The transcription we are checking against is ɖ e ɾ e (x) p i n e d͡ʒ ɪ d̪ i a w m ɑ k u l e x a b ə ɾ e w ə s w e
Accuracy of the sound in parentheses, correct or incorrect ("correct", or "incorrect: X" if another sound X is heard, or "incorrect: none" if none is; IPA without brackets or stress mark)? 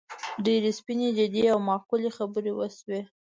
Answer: incorrect: s